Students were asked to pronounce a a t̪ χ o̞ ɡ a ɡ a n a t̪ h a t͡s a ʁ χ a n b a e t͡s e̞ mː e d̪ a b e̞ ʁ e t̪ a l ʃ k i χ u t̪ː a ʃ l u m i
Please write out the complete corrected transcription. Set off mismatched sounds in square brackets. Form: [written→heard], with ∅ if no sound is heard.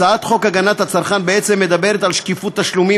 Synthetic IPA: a a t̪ χ o̞ [ɡ→k] a ɡ a n a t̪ h a t͡s a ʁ χ a n b [a→e] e t͡s e̞ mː e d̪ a b e̞ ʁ e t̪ a l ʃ k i [χ→f] u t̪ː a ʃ l u m i

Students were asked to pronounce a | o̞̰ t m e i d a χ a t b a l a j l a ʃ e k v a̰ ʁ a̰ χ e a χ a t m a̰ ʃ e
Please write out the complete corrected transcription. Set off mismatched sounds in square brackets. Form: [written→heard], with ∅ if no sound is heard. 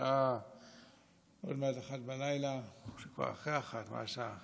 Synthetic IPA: a | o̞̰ [t→d] m e [i→a] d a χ a t b a l a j l a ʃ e k v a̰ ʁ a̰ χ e a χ a t m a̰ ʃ [e→a]

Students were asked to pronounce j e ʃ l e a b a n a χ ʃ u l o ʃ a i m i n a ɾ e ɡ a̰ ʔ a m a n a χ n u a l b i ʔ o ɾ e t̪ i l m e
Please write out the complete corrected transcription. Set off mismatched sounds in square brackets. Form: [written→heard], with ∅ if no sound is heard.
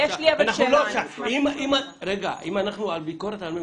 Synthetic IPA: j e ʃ l [e→i] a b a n a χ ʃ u l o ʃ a i m i [n→m] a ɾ e ɡ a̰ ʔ [a→i] m a n a χ n u a l b i [ʔ→k] o ɾ e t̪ [i→a] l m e

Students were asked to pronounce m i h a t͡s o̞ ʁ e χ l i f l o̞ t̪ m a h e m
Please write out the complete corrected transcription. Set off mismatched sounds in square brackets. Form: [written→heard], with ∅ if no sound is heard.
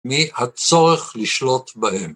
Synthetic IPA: m i h a t͡s o̞ ʁ e χ l i [f→ʃ] l o̞ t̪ [m→b] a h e m

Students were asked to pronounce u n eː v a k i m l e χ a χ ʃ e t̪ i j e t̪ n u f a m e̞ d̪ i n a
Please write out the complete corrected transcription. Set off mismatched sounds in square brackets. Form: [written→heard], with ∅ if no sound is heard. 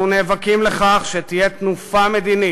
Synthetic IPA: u n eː v a k i m l e χ a χ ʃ e t̪ i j e t̪ n u f a m e̞ d̪ i n [a→i]

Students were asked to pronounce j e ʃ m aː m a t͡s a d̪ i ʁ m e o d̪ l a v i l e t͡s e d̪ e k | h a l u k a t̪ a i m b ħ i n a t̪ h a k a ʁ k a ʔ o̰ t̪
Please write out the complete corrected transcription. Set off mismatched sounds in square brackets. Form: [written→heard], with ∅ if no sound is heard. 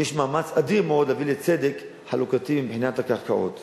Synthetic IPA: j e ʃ m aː m a t͡s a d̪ i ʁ m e o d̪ l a v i l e t͡s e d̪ e k | [h→ħ] a l u k a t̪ [a→i] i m b ħ i n a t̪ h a k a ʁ k a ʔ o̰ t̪

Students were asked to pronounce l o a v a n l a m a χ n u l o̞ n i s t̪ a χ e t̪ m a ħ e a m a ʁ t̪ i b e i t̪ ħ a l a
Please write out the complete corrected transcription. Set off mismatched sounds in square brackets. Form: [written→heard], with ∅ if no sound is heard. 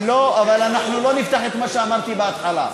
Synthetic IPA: l o a v a [n→∅] l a [m→n] a [χ→ħ] n u l o̞ n i [s→f] t̪ a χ e t̪ m a [ħ→ʃ] e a m a ʁ t̪ i b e [i→a] t̪ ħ a l a

